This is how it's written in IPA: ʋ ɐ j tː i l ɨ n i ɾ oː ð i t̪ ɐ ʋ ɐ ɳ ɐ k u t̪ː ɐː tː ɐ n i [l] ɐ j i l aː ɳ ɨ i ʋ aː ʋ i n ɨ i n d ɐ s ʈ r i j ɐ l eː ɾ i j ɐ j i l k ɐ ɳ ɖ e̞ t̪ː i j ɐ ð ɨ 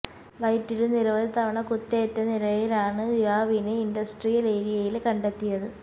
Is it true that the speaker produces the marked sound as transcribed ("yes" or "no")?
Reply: yes